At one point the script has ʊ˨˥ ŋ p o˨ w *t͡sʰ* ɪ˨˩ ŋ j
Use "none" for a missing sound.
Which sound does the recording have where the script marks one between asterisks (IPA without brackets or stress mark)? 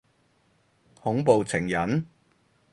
t͡sʰ